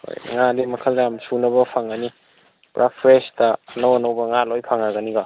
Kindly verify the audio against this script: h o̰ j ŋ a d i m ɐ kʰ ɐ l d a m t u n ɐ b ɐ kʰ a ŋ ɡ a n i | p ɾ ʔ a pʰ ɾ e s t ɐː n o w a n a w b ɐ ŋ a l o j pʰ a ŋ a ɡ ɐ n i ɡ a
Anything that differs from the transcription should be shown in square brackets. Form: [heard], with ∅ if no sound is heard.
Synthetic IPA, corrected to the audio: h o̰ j ŋ a d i m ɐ kʰ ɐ l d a m [s] u n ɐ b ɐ [pʰ] a ŋ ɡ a n i | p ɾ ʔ a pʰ ɾ e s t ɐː n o w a n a w b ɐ ŋ a l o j pʰ a ŋ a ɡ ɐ n i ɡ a